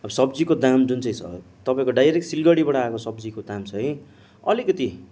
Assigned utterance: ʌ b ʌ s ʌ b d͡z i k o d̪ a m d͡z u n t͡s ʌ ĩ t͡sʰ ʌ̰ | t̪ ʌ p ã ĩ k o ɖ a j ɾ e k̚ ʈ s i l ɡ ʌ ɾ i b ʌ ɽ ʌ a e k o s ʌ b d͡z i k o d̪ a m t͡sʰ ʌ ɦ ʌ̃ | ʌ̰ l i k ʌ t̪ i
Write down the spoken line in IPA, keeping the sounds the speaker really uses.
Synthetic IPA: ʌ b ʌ s ʌ b d͡z i k o d̪ a m d͡z u n t͡s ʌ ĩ t͡sʰ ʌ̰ | t̪ ʌ p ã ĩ k o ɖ a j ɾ e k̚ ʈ s i l ɡ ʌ ɽ i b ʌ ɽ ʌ a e k o s ʌ b d͡z i k o d̪ a m t͡sʰ ʌ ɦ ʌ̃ | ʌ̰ l i k ʌ t̪ i